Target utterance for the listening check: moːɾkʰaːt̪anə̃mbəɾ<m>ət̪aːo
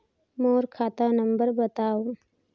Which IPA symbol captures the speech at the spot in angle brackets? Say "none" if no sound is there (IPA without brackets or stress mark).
b